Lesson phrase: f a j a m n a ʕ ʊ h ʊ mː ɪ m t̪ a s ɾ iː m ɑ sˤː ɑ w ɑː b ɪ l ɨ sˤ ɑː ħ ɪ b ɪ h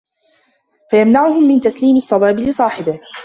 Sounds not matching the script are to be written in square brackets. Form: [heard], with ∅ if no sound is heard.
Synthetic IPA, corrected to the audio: f a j a m n a ʕ ʊ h ʊ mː ɪ [n] t̪ a s [l] iː m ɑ sˤː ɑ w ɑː b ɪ l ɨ sˤ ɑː ħ ɪ b ɪ h